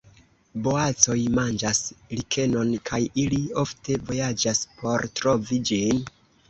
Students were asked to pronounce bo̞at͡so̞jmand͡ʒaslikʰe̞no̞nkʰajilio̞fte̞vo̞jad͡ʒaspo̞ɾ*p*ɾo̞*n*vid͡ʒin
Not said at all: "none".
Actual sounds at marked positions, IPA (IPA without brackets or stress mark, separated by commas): t, none